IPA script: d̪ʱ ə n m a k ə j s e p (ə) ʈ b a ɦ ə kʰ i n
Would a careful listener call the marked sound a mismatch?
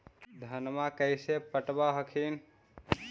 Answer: no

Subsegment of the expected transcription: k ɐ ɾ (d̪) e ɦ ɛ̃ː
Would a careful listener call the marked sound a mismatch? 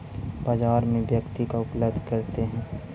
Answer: yes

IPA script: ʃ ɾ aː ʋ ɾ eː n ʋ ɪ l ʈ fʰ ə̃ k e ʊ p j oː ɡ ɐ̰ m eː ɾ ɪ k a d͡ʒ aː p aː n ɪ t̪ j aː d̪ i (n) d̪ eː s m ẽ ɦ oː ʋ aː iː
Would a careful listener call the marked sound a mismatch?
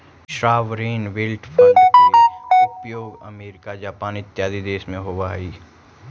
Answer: yes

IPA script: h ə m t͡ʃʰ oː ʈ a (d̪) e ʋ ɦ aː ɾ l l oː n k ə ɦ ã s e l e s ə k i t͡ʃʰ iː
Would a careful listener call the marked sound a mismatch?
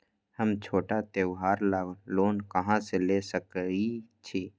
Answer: yes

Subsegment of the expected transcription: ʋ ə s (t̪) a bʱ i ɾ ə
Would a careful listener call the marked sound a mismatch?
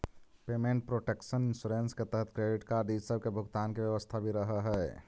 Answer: yes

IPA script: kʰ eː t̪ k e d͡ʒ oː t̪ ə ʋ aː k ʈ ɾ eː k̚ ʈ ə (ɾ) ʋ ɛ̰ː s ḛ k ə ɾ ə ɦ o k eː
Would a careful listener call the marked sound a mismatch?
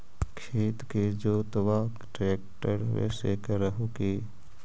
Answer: no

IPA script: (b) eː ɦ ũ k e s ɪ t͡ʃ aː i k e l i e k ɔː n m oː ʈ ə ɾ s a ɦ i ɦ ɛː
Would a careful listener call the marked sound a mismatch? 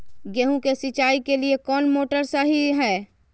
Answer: yes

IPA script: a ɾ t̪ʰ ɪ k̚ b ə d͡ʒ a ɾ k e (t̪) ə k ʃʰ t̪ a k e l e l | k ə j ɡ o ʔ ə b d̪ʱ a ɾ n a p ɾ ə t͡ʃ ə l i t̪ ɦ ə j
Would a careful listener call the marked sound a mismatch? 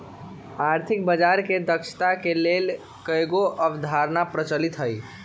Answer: yes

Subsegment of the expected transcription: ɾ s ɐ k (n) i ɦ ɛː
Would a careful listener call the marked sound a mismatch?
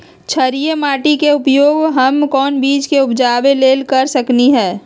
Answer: no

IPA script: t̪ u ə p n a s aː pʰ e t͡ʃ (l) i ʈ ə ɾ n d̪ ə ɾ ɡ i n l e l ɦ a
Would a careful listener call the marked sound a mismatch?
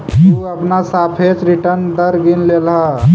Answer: yes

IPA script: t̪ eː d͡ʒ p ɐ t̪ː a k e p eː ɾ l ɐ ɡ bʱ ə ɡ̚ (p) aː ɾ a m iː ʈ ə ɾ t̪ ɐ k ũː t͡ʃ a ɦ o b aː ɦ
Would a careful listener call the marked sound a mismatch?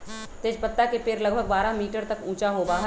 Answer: yes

